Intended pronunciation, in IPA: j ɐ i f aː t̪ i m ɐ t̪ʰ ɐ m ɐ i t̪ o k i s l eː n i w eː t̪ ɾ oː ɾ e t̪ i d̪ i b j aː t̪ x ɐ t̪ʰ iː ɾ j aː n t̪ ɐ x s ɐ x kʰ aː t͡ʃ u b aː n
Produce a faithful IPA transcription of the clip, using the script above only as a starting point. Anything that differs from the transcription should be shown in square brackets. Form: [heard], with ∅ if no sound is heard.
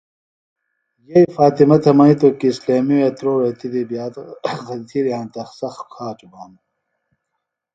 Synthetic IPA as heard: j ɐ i f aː t̪ i m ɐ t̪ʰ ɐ m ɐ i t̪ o k i s l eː [m] i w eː t̪ ɾ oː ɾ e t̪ i d̪ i b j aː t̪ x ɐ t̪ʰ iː ɾ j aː n t̪ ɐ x s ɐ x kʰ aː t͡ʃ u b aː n